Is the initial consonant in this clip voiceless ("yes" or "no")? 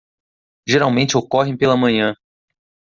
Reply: no